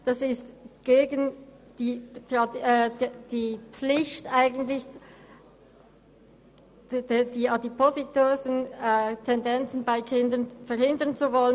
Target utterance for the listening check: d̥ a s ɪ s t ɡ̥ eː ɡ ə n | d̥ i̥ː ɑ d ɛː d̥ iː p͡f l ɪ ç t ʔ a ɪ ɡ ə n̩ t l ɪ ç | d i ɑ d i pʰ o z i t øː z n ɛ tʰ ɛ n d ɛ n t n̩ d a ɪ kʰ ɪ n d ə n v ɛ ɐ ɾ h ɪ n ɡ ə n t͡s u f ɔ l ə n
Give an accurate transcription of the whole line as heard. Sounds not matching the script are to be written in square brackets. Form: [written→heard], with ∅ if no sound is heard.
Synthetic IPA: d̥ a s ɪ s t ɡ̥ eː ɡ ə n | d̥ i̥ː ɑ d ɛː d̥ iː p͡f l ɪ ç t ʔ a ɪ ɡ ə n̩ t l ɪ ç | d i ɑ d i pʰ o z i t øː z n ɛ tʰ ɛ n d ɛ n [t→t͡s] n̩ [d→b] a ɪ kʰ ɪ n d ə n [v→f] ɛ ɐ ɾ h ɪ n [ɡ→d] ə n t͡s u [f→v] ɔ l ə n